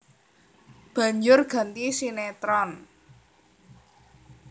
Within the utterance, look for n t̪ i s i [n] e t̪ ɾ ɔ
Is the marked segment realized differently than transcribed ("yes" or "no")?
no